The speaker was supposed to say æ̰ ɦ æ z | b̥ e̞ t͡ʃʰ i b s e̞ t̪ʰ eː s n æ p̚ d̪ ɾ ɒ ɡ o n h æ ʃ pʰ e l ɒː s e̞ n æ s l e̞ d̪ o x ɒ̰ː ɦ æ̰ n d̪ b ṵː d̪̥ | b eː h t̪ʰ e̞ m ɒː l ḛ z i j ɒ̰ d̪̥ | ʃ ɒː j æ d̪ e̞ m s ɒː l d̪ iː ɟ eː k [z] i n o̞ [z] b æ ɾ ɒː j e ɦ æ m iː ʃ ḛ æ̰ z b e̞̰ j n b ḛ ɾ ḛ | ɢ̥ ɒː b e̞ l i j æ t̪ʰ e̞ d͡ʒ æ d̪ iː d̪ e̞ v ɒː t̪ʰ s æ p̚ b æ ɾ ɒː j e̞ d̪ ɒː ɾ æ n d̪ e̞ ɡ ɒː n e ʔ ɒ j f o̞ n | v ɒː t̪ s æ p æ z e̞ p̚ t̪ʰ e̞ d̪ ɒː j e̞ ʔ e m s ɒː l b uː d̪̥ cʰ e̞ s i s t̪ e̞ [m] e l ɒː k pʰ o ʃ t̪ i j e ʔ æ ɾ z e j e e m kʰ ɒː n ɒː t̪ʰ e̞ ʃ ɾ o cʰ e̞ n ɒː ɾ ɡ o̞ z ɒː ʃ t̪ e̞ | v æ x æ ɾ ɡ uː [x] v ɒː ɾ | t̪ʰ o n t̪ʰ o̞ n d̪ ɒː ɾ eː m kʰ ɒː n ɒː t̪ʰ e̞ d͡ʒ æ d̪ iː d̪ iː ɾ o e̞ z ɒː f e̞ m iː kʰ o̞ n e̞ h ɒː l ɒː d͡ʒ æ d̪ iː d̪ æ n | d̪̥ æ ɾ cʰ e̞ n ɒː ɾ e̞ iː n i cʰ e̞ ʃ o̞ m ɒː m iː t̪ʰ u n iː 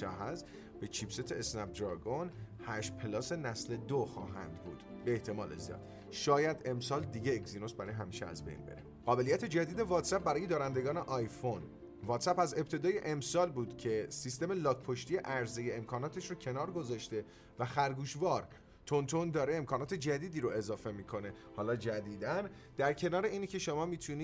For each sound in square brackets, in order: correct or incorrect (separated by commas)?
correct, incorrect, correct, incorrect